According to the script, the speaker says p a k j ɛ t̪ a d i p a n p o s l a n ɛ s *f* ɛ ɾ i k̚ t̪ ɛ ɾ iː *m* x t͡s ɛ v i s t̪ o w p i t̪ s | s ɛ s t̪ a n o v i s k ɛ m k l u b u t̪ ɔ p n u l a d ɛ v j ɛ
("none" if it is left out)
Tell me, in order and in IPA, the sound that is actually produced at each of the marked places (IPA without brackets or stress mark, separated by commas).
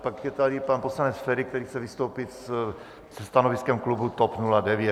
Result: f, none